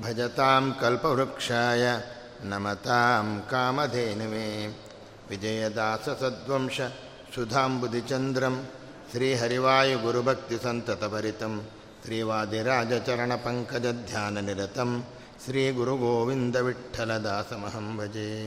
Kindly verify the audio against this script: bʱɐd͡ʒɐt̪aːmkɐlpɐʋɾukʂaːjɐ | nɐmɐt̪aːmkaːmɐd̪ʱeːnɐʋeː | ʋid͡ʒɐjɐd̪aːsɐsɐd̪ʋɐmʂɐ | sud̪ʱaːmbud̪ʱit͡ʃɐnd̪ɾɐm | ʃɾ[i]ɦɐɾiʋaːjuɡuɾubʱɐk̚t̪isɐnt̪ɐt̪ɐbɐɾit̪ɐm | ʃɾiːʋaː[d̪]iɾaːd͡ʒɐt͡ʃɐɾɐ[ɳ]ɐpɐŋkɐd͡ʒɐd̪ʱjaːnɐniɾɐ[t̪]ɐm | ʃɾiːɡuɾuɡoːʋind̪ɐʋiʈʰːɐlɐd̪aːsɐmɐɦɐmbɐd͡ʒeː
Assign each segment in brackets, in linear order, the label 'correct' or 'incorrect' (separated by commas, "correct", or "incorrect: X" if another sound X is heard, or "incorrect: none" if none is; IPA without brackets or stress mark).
incorrect: iː, correct, correct, correct